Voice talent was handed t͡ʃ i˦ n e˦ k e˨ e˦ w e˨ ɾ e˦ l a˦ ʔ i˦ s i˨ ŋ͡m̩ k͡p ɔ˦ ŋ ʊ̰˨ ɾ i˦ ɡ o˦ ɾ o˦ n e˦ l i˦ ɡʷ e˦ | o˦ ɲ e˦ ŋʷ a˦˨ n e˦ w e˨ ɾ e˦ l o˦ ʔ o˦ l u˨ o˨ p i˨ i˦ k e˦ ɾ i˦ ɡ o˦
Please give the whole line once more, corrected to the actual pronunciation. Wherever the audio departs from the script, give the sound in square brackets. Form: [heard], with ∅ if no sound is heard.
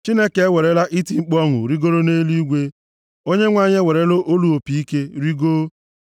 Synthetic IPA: t͡ʃ i˦ n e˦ k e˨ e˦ w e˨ ɾ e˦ l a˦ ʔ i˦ [t] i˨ ŋ͡m̩ k͡p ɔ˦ ŋ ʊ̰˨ ɾ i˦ ɡ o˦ ɾ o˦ n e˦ l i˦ ɡʷ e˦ | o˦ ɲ e˦ ŋʷ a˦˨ [ɲ] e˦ w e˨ ɾ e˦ l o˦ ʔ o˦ l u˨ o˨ p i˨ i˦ k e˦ ɾ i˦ ɡ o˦

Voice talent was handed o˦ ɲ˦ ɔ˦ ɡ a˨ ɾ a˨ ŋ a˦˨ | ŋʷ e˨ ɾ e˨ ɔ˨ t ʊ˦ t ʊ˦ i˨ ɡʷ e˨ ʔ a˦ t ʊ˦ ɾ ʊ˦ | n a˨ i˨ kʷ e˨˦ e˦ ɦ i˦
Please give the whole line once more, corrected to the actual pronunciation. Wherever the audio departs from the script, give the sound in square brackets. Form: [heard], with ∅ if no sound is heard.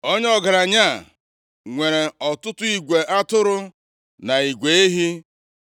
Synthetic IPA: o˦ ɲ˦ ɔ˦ ɡ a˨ ɾ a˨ [ɲ] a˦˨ | ŋʷ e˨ ɾ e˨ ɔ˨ t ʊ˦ t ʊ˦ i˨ ɡʷ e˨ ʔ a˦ t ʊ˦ ɾ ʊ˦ | n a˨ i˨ [ɡʷ] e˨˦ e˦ ɦ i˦

